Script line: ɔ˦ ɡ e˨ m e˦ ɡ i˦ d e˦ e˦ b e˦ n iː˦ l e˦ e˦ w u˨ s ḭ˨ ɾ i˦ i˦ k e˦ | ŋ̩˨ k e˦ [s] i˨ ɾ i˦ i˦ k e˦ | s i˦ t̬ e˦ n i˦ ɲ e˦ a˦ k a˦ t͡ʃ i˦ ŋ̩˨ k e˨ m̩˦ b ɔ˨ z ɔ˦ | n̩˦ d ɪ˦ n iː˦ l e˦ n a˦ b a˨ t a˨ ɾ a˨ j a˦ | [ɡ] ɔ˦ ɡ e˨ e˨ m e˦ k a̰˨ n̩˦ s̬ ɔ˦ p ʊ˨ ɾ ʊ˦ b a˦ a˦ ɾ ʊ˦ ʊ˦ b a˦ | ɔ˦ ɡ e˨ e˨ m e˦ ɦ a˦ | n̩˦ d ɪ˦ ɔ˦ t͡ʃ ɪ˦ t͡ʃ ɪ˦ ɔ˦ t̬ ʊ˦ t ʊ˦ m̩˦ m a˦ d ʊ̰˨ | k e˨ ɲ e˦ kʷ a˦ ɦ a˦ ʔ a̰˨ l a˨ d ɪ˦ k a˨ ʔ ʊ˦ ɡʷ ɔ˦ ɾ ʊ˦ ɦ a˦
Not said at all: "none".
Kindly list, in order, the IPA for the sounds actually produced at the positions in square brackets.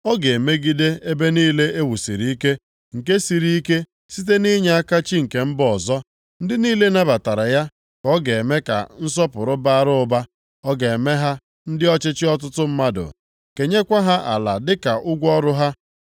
s, k

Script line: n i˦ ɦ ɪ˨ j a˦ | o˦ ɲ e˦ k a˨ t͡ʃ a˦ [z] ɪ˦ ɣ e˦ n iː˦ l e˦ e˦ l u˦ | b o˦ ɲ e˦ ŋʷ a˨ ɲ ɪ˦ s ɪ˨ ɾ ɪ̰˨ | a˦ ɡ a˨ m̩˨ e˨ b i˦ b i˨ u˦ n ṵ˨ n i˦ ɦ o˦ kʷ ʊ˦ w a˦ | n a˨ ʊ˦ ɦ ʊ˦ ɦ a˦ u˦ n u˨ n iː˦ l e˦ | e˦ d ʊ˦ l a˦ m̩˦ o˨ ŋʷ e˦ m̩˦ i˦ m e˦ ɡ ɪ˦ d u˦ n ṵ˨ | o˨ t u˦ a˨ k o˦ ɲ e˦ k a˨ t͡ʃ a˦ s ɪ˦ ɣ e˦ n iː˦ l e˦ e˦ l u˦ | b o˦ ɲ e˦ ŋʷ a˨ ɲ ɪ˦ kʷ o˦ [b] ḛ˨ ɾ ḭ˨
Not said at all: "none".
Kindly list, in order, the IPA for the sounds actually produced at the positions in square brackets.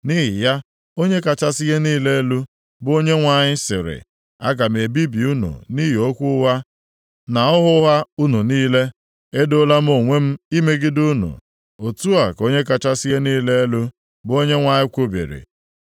s, b

